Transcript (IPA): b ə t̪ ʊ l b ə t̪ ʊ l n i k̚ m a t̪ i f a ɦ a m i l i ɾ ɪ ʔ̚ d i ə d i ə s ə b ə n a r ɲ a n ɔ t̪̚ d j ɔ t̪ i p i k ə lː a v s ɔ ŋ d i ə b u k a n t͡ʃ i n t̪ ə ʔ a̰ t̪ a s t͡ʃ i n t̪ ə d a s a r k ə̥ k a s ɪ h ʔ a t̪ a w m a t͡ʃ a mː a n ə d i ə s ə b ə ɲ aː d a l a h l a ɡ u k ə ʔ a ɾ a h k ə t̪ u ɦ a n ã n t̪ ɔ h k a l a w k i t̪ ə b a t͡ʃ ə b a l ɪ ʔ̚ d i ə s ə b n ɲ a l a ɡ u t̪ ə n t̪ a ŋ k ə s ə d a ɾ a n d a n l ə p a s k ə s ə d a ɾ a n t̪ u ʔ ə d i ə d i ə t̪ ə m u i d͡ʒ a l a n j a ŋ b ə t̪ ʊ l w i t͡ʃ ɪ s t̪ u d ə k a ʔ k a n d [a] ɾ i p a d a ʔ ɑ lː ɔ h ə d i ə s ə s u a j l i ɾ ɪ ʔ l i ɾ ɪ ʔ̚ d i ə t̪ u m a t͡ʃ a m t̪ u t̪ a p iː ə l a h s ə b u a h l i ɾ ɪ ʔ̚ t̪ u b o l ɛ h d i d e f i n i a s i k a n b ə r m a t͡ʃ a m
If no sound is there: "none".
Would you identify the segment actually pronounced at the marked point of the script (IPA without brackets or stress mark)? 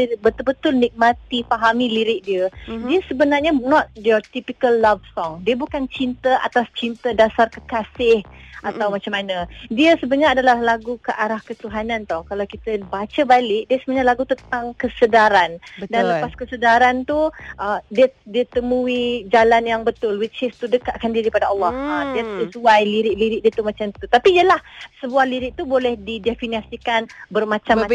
i